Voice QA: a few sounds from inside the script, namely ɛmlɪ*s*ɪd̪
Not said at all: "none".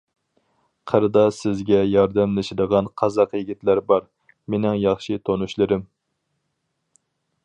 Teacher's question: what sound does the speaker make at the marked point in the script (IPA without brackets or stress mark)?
ʃ